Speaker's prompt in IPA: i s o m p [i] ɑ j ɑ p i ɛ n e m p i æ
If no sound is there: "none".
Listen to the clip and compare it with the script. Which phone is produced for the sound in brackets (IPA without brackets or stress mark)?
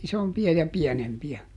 i